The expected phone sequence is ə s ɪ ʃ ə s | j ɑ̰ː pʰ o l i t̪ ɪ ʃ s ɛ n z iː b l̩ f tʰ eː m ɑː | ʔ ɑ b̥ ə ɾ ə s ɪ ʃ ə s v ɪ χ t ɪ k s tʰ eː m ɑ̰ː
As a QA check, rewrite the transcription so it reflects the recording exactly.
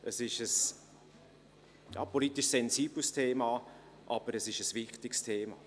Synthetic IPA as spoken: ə s ɪ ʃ ə s | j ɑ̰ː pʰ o l i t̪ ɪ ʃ s ɛ n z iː b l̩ s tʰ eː m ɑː | ʔ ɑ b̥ ə ɾ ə s ɪ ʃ ə s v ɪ χ t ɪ k s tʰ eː m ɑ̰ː